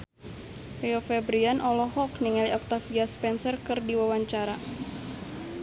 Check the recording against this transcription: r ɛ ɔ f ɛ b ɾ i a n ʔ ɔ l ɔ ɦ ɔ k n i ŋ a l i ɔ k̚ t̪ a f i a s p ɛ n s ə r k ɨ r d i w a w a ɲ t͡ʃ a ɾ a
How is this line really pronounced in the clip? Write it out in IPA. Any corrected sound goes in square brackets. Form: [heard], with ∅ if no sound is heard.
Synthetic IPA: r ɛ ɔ f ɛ b ɾ i a n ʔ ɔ l ɔ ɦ ɔ k n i ŋ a l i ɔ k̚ t̪ a f i a s p ɛ n s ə r k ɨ r d i w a w a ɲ t͡ʃ a ɾ a